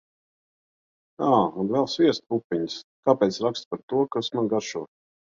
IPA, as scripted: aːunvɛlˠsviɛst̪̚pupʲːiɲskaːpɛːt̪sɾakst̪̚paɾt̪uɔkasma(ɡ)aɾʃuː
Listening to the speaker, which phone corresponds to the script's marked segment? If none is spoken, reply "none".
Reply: ɡ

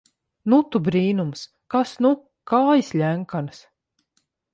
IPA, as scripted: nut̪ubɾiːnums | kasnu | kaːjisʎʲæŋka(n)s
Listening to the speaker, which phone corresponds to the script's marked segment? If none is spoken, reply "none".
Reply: n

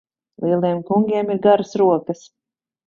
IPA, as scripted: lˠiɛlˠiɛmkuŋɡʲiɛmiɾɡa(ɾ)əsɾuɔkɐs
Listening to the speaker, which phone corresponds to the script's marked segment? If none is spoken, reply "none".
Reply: ɾ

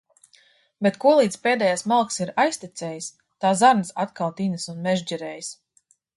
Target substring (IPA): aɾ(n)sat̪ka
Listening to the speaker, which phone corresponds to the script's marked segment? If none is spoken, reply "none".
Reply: n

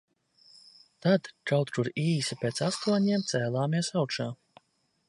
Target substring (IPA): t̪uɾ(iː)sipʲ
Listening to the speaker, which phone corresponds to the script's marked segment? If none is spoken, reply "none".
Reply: iː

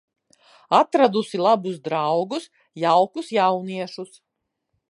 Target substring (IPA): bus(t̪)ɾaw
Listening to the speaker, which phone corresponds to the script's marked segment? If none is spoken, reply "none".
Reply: d̪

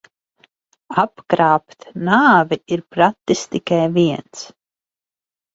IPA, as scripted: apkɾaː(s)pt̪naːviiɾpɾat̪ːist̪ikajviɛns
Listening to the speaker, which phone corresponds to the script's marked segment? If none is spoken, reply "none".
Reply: none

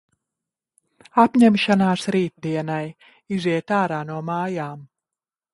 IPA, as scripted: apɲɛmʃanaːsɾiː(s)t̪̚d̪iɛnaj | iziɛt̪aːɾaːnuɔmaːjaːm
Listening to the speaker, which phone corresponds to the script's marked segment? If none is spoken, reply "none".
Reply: none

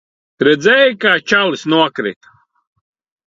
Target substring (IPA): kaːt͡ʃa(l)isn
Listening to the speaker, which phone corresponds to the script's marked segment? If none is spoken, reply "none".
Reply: l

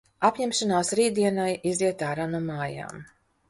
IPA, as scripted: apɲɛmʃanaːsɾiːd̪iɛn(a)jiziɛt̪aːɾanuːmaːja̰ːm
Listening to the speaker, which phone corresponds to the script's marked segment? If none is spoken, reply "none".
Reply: a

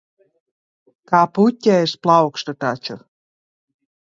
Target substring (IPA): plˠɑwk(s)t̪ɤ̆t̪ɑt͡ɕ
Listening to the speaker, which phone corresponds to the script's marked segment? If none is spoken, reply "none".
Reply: ʃ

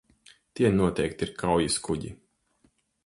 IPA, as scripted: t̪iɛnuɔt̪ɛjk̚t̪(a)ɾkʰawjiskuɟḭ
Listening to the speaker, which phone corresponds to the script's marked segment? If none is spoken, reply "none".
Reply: i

